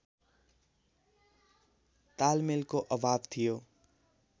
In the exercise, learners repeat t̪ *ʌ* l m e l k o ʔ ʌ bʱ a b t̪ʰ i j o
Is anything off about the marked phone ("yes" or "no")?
yes